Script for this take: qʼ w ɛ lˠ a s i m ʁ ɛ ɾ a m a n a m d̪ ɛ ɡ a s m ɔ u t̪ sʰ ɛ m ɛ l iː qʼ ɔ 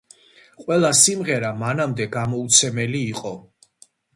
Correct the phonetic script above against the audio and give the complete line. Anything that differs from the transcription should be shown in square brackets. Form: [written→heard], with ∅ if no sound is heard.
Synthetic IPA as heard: qʼ w ɛ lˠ a s i m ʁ ɛ ɾ a m a n a m d̪ ɛ ɡ a [s→∅] m ɔ u t̪ sʰ ɛ m ɛ l iː qʼ ɔ

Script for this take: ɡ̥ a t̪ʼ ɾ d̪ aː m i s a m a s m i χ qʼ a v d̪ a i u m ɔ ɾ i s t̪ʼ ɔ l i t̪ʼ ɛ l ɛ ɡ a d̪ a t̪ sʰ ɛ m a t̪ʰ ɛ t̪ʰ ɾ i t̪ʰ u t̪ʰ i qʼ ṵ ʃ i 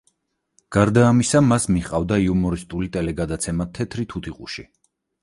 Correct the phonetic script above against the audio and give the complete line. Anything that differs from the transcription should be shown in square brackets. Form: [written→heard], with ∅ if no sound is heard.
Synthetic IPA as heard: ɡ̥ a [t̪ʼ→∅] ɾ d̪ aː m i s a m a s m i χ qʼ a v d̪ a i u m ɔ ɾ i s t̪ʼ [ɔ→u] l i t̪ʼ ɛ l ɛ ɡ a d̪ a t̪ sʰ ɛ m a t̪ʰ ɛ t̪ʰ ɾ i t̪ʰ u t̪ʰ i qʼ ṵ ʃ i

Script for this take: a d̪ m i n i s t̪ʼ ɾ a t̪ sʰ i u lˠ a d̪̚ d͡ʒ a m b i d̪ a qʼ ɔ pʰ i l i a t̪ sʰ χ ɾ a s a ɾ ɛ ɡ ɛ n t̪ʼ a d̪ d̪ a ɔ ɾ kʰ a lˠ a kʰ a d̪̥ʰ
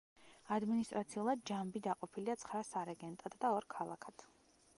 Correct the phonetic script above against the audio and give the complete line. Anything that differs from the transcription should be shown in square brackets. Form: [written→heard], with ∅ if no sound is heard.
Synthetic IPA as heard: a d̪ m i n i s t̪ʼ ɾ a t̪ sʰ i u lˠ a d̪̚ d͡ʒ a m b i d̪ a qʼ ɔ pʰ i l i a t̪ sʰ χ ɾ a s a ɾ ɛ ɡ ɛ n t̪ʼ a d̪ d̪ a ɔ ɾ kʰ a lˠ a kʰ a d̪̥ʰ

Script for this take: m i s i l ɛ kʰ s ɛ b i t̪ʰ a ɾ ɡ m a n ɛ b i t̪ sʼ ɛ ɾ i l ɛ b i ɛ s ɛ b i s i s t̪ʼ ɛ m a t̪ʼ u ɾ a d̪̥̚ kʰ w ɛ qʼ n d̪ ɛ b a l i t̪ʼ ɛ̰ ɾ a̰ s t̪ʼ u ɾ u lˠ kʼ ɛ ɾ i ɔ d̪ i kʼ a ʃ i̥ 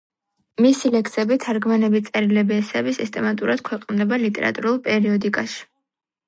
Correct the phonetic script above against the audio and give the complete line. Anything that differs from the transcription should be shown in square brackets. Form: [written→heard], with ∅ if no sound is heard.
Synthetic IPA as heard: m i s i l ɛ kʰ s ɛ b i t̪ʰ a ɾ ɡ m a n ɛ b i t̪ sʼ ɛ ɾ i l ɛ b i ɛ s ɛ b i s i s t̪ʼ ɛ m a t̪ʼ u ɾ a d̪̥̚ kʰ w ɛ qʼ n d̪ ɛ b a l i t̪ʼ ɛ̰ ɾ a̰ [s→∅] t̪ʼ u ɾ u lˠ [kʼ→pʼ] ɛ ɾ i ɔ d̪ i kʼ a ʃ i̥

